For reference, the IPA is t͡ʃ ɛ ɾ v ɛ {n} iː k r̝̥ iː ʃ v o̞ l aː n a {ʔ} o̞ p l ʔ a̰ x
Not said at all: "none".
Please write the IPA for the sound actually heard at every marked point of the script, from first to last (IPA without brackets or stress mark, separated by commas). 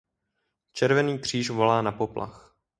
n, p